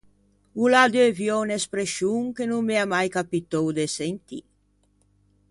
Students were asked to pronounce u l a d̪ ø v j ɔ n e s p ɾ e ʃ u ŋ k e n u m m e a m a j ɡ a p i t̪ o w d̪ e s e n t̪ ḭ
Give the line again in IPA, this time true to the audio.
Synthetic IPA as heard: u l a d̪ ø v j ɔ n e s p ɾ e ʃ u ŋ k e n u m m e a m a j k a p i t̪ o w d̪ e s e n t̪ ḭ